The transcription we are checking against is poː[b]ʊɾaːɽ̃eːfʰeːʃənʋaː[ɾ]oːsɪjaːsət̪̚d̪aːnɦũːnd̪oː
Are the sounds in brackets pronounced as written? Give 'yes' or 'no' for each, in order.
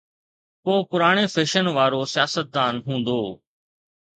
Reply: no, yes

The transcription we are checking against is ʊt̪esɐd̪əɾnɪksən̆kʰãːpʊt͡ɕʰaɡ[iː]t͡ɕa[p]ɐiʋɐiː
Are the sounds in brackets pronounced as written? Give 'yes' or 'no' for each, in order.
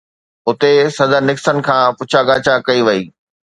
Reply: no, no

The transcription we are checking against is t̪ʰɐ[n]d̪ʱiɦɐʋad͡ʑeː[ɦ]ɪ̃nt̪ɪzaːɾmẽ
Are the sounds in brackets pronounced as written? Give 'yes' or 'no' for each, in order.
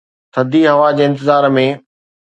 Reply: no, no

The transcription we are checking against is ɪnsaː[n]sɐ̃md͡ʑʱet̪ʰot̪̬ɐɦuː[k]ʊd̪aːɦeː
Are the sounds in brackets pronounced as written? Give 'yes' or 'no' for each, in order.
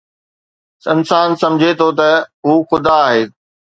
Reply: yes, no

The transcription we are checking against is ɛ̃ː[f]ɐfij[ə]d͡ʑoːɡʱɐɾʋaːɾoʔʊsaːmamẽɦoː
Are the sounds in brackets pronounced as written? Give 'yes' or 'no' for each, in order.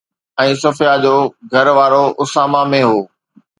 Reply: no, no

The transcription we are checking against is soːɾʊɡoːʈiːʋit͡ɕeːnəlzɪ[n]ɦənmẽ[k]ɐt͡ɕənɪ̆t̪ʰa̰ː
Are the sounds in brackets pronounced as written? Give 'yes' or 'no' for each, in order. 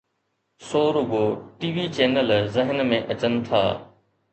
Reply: no, no

